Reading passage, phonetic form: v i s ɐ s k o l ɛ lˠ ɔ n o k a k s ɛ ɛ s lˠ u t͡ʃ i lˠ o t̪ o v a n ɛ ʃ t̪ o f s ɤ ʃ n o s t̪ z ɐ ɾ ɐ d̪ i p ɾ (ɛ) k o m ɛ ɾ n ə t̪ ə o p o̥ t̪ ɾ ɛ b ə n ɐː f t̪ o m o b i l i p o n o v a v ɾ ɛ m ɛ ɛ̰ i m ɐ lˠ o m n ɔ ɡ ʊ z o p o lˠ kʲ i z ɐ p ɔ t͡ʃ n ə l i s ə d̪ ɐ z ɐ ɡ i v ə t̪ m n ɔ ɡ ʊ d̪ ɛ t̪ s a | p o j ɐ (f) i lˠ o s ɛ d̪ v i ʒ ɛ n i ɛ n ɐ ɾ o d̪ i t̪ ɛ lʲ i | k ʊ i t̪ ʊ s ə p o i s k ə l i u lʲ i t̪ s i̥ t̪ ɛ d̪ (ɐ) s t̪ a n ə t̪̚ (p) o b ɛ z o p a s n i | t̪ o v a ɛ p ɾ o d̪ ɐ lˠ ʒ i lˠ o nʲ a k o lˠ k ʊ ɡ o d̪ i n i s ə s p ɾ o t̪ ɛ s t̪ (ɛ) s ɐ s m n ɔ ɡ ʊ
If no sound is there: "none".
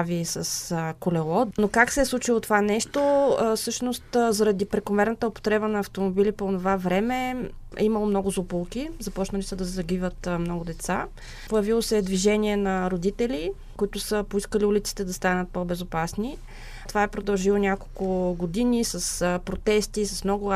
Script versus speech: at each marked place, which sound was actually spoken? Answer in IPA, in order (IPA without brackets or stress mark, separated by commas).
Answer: ɛ, v, ɐ, p, i